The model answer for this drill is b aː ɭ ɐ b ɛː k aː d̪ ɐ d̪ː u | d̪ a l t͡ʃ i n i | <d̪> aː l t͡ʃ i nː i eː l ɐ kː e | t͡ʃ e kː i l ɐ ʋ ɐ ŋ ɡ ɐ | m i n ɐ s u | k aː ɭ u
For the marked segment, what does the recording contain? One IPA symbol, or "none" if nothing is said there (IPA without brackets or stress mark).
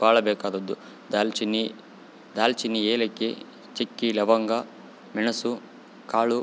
d̪